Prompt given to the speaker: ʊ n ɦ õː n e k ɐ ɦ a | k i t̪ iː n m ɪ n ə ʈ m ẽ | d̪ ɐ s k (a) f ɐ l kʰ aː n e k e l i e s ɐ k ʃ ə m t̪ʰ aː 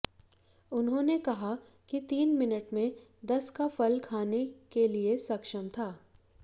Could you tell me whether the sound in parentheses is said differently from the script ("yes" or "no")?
no